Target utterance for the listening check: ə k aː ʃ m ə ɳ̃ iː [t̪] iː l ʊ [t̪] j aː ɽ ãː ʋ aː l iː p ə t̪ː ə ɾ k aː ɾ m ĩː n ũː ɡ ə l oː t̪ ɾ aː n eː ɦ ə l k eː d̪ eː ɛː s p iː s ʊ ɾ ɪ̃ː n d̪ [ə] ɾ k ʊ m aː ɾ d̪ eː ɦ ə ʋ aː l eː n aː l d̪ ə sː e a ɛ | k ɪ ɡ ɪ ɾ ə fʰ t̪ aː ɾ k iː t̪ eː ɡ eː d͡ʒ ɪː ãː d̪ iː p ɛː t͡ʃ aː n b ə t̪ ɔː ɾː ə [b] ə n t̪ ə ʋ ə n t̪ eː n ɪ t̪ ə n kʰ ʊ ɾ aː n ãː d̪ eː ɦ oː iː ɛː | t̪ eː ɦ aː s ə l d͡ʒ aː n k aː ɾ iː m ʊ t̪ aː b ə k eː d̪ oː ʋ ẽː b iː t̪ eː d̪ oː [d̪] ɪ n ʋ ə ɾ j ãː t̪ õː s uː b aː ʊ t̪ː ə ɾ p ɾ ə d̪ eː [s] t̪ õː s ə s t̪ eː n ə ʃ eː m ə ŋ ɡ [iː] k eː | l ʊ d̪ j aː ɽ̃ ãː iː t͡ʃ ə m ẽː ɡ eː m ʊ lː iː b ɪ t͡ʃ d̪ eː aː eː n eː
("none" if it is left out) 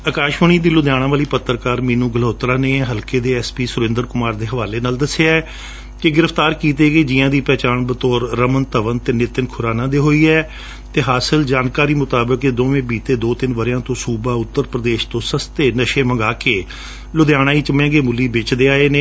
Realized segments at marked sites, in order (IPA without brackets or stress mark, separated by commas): d̪, d̪, ə, m, t̪, ʃ, aː